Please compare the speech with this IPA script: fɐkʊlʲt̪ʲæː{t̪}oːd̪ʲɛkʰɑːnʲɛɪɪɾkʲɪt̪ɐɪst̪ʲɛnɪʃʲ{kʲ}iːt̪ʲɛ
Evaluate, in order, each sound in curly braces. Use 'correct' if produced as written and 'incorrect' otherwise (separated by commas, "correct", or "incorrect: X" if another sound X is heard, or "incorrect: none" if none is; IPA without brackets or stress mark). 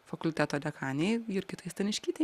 correct, correct